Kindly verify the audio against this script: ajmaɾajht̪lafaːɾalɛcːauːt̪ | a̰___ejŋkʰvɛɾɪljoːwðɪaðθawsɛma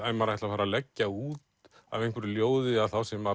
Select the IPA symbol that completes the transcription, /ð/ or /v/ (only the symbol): v